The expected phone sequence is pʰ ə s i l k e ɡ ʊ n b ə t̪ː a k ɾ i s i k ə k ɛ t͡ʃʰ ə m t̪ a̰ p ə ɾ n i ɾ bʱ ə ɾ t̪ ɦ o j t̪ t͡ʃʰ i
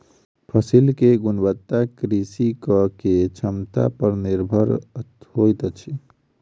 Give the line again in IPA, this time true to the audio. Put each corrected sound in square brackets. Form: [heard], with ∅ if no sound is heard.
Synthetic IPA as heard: pʰ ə s i l k e ɡ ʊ n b ə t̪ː a k ɾ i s i k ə k [e] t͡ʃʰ ə m t̪ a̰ p ə ɾ n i ɾ bʱ ə ɾ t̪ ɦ o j t̪ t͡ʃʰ i